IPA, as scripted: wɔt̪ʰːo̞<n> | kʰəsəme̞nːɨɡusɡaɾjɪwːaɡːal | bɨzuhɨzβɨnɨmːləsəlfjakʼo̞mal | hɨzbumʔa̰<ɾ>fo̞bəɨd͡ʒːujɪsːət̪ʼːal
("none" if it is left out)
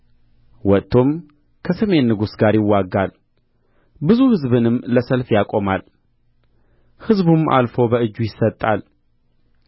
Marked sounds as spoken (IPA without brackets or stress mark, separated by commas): m, l